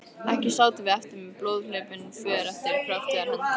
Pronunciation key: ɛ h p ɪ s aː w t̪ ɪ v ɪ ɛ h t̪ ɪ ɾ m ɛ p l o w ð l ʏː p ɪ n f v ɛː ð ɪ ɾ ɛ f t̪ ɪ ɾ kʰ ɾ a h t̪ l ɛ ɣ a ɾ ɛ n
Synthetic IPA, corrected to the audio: ɛ h c ɪ s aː w t̪ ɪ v ɪ ɛ f t̪ ɪ ɾ m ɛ p l o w ð l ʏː p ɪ n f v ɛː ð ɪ ɾ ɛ f t̪ ɪ ɾ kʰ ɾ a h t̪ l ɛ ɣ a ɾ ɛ n